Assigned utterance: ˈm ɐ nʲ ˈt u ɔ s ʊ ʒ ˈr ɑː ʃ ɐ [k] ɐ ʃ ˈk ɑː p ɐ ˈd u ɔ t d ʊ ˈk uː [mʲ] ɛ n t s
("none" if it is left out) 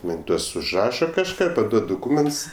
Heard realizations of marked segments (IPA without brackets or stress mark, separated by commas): k, mʲ